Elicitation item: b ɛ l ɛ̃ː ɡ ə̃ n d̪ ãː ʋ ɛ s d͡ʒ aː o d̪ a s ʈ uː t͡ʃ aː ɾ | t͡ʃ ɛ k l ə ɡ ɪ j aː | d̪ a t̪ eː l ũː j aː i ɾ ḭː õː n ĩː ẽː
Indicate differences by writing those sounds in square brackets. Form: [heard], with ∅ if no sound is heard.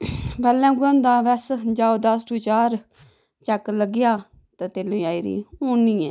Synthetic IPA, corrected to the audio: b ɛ l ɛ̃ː ɡ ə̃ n d̪ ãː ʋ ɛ s d͡ʒ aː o d̪ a s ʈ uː t͡ʃ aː ɾ | t͡ʃ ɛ k l ə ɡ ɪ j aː | [t̪] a t̪ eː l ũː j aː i ɾ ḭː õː n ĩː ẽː